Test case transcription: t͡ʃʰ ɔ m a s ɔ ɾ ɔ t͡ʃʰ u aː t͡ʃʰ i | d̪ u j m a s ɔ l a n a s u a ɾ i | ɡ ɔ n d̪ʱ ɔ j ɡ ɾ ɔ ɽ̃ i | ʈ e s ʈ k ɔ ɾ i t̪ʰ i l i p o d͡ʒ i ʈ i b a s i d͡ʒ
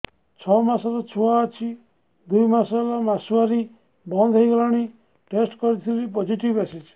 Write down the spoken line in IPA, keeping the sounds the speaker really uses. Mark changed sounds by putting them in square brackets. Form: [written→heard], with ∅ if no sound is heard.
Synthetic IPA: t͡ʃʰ ɔ m a s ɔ ɾ ɔ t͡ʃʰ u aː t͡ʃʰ i | d̪ u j m a s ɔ l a [n→m] a s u a ɾ i | [ɡ→b] ɔ n d̪ʱ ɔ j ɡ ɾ ɔ ɽ̃ i | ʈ e s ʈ k ɔ ɾ i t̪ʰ i l i p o d͡ʒ i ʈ i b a s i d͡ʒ